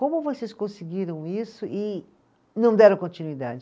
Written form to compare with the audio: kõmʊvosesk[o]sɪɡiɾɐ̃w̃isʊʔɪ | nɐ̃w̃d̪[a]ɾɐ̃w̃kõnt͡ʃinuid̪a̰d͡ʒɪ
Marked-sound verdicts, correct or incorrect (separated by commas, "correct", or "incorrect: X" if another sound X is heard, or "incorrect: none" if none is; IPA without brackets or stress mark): incorrect: õ, incorrect: ɛ